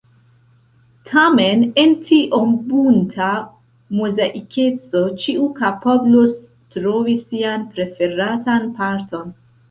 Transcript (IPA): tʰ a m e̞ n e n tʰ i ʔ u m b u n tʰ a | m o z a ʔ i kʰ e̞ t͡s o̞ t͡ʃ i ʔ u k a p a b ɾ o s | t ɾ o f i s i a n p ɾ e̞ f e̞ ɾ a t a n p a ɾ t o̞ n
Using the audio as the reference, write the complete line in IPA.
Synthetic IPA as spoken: tʰ a m e̞ n e n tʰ i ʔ o m b u n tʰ a | m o z a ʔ i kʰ e̞ t͡s o̞ t͡ʃ i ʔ u k a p a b l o s | t ɾ o v i s i a n p ɾ e̞ f e̞ ɾ a t a n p a ɾ t o̞ n